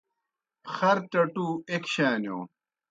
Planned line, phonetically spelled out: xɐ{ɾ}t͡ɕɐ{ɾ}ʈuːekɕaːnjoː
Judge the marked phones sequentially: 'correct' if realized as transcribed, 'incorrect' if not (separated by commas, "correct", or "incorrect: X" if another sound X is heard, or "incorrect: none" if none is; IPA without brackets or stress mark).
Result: correct, incorrect: none